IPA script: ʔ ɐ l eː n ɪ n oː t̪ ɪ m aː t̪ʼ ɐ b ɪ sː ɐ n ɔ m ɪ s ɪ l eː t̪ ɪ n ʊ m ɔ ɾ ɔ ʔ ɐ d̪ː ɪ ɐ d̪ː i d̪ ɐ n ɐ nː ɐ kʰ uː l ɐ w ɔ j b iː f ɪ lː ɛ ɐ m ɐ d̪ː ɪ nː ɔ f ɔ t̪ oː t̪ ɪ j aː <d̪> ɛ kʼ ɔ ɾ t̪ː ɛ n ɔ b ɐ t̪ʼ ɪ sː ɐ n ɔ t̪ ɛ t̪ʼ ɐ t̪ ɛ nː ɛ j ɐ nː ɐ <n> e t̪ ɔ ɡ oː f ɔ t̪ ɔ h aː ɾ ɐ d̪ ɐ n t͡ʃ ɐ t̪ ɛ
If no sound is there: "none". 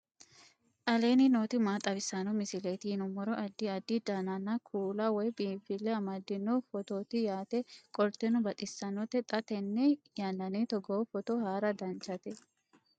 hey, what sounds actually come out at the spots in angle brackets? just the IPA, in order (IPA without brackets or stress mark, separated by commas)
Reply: t̪, n